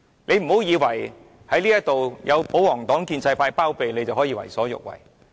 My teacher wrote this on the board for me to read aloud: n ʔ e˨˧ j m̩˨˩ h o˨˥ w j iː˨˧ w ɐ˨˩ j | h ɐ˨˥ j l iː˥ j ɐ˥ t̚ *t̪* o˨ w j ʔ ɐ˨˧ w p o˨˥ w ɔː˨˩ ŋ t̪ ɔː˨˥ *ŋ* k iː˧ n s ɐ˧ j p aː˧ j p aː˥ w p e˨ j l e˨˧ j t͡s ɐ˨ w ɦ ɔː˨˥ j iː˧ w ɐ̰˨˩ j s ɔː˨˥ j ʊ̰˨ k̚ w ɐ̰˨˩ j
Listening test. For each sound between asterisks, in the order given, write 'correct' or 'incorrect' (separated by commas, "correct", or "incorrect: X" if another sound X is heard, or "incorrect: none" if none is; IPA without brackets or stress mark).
correct, correct